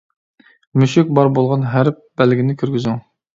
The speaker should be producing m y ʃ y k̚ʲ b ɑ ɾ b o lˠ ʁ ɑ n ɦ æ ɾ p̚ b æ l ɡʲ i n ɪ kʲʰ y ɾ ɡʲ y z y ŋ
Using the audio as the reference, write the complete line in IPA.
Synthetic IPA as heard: m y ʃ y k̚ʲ b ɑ ɾ b o lˠ ʁ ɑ n ɦ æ ɾ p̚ b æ l ɡʲ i n ɪ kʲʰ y ɾ ɡʲ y z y ŋ